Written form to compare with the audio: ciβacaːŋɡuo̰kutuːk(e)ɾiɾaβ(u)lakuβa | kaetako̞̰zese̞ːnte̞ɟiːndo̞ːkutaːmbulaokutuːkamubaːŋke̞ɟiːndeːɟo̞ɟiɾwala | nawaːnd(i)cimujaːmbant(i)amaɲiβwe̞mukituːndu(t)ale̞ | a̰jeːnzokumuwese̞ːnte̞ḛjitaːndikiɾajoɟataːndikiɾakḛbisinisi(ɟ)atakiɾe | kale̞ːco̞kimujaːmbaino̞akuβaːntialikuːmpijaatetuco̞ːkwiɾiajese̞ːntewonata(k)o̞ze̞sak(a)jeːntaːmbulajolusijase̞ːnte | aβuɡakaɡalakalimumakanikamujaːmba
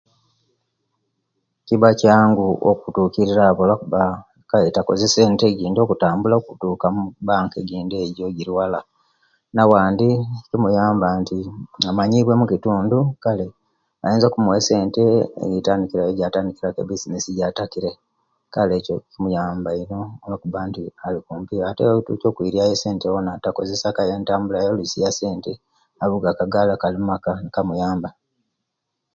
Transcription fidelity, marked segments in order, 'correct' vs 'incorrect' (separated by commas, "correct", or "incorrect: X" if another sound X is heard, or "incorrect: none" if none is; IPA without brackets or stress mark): incorrect: i, incorrect: o, correct, correct, incorrect: k, correct, correct, correct